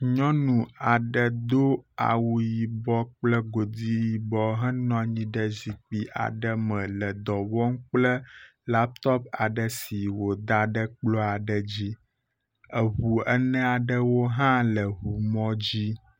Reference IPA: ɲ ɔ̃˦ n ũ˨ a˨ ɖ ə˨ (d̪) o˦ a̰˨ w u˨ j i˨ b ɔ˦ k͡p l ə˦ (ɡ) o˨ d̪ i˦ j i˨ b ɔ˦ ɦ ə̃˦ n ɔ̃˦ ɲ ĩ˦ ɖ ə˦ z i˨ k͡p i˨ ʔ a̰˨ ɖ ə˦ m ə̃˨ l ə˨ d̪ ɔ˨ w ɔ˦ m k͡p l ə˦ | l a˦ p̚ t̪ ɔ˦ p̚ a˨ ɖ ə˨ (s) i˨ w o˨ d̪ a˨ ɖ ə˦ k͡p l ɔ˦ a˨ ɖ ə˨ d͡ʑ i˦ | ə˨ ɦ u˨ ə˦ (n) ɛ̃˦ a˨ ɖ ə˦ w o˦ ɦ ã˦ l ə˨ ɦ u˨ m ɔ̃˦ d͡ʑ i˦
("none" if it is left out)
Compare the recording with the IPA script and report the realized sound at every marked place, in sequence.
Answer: d̪, ɡ, s, n

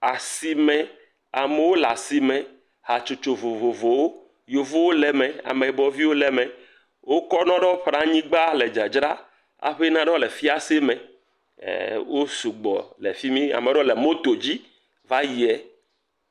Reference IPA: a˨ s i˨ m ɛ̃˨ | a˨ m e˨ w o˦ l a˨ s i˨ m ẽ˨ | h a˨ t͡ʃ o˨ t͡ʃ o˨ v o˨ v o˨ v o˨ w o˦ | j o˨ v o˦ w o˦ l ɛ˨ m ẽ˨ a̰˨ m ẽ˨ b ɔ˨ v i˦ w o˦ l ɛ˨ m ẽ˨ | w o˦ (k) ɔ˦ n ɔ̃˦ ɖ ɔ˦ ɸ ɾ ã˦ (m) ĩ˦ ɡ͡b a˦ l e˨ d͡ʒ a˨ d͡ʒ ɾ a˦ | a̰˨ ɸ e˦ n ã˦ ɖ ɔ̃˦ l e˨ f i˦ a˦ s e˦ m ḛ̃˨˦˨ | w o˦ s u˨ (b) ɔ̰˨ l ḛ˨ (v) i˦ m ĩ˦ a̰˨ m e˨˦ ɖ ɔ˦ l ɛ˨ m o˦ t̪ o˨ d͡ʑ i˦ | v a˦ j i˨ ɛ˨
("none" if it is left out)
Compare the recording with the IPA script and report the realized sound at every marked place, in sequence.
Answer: k, ɲ, ɡ͡b, f

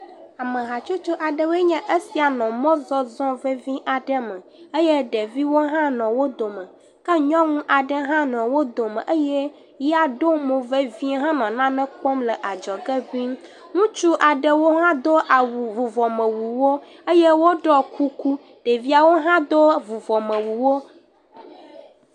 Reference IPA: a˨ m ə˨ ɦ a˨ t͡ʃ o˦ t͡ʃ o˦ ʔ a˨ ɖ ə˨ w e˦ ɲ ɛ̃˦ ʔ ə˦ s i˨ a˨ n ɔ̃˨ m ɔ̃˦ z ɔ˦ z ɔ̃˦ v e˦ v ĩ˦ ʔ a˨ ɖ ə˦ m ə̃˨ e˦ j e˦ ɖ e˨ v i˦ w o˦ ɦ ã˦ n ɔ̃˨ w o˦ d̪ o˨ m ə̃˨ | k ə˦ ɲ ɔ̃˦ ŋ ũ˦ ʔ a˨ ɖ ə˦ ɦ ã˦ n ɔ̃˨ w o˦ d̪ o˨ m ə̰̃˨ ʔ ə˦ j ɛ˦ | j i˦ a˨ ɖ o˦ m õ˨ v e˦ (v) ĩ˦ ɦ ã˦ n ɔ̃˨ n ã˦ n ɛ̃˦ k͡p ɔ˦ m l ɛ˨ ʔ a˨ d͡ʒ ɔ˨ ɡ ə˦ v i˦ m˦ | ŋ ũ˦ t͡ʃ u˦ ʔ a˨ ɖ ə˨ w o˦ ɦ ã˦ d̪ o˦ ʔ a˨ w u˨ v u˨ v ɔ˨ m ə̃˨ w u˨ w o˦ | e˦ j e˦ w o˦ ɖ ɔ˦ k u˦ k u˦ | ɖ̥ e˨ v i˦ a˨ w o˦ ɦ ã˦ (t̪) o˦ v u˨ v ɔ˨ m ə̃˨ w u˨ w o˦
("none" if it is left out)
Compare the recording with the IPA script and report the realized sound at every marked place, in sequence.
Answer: v, d̪

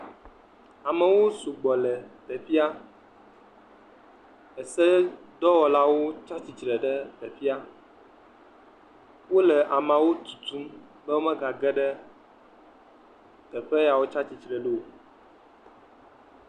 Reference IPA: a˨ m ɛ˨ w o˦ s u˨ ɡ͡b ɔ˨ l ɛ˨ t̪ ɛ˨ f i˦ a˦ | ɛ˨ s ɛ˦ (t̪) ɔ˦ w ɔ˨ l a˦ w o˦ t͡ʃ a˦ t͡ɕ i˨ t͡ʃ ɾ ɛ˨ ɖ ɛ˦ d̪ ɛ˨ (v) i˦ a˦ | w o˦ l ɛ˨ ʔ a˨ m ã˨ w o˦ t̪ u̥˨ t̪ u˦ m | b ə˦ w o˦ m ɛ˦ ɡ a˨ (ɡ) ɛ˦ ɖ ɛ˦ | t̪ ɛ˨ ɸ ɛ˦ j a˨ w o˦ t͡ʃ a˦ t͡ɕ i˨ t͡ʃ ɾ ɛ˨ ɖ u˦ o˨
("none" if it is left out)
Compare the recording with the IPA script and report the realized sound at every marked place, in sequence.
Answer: d̪, f, ɡ

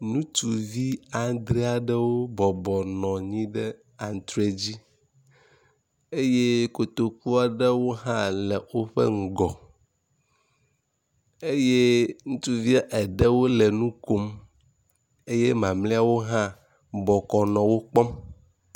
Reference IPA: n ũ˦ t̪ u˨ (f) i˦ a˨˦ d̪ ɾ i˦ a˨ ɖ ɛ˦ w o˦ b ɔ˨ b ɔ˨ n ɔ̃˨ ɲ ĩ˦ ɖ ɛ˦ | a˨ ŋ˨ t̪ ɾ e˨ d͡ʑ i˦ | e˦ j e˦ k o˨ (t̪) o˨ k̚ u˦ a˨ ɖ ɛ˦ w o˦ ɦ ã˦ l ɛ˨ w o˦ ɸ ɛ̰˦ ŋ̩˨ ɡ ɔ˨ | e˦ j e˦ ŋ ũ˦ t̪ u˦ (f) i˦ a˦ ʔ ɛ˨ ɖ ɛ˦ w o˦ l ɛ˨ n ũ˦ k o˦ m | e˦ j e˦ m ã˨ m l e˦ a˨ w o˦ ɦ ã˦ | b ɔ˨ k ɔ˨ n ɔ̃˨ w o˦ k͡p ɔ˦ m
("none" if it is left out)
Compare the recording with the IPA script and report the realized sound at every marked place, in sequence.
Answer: v, t̪, v

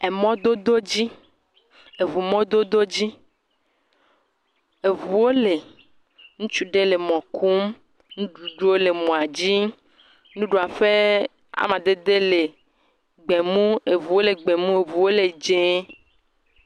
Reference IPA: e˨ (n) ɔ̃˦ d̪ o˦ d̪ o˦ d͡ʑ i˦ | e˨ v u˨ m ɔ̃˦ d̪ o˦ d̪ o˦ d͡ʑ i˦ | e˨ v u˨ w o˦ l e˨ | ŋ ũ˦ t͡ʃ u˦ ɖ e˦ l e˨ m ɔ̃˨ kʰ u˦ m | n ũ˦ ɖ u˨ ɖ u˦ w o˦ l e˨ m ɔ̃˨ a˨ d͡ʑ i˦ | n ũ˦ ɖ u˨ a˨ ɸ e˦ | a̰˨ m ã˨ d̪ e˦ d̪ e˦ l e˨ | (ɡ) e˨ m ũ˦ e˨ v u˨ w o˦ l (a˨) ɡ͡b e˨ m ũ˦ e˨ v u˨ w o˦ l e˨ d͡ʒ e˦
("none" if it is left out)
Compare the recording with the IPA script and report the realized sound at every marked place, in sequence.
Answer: m, ɡ͡b, e˨

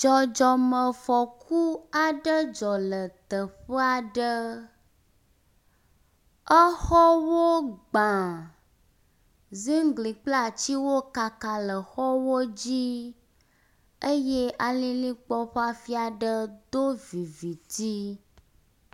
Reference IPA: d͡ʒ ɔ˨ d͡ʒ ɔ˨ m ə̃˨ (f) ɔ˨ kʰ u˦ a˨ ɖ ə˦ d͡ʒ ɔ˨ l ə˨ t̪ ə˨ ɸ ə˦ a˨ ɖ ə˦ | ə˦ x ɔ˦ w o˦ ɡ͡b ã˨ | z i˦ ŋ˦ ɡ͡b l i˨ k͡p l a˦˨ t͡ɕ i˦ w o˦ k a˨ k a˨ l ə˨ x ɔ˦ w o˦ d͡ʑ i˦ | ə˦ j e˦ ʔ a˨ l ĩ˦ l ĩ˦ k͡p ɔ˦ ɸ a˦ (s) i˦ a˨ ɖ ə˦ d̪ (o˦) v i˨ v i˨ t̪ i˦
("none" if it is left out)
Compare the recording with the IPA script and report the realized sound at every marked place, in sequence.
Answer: f, f, o˦

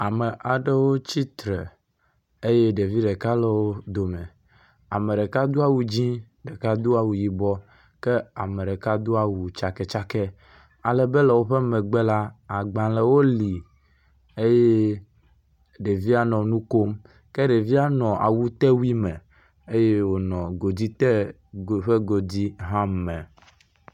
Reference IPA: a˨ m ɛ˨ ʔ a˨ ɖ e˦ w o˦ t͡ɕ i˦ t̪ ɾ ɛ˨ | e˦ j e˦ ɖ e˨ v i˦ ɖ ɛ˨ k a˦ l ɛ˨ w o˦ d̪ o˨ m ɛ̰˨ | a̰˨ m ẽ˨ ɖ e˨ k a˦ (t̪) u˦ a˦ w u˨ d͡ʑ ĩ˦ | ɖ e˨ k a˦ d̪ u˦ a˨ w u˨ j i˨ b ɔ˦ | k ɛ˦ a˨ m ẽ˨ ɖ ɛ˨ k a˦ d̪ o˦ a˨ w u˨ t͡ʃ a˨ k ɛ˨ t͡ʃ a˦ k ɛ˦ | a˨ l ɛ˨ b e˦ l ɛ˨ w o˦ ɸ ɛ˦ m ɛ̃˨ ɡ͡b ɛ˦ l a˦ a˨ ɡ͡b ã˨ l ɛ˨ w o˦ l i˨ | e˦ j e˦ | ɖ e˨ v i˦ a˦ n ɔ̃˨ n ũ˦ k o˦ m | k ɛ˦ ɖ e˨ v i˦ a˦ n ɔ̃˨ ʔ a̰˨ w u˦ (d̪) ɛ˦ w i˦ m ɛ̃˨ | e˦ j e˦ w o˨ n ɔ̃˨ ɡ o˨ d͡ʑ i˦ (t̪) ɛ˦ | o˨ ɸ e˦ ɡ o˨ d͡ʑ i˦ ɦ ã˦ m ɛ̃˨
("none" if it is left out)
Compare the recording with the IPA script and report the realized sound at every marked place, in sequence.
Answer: d̪, t̪, t̪

